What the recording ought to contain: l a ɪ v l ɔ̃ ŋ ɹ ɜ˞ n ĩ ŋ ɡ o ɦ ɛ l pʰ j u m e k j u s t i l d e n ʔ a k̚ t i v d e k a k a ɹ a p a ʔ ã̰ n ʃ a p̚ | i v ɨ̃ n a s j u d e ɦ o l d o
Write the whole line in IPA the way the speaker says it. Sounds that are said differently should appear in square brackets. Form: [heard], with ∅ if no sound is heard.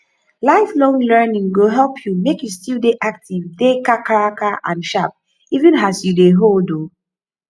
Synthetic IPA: l a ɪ [f] l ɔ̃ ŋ [l] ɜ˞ n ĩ ŋ ɡ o ɦ ɛ l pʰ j u m e k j u s t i l d e [∅] ʔ a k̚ t i v d e k a k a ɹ a [k] a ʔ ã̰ n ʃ a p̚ | i v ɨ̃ n a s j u d e ɦ o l d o